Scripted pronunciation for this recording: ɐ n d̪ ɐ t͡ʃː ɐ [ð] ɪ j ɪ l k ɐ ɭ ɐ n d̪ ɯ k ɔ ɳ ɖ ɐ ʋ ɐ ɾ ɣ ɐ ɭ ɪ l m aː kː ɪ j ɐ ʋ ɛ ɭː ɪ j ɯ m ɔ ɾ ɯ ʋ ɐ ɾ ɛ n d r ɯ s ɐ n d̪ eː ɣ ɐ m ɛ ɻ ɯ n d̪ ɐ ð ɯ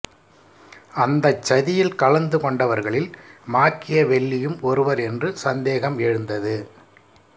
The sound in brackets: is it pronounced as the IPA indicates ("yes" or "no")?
yes